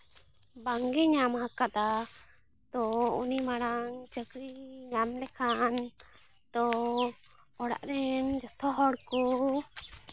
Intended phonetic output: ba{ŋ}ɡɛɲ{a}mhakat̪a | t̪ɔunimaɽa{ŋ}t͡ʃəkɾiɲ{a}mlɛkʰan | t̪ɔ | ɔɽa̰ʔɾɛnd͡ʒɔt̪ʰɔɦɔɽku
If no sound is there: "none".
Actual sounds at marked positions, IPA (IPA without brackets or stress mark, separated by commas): ŋ, a, ŋ, a